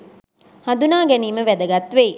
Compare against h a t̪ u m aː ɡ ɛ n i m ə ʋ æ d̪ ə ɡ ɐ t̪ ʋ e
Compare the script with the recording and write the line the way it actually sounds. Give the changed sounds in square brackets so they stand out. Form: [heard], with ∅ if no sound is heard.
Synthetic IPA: h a [d̪] u [n] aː ɡ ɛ n [iː] m ə ʋ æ d̪ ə ɡ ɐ t̪ ʋ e